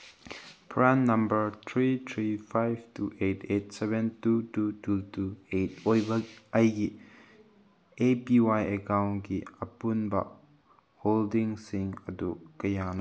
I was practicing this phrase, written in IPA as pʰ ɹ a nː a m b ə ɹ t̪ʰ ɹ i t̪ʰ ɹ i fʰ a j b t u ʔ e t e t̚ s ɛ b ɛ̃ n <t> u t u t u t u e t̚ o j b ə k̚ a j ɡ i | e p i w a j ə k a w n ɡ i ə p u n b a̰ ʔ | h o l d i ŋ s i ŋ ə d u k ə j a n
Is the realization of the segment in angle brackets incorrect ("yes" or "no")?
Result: no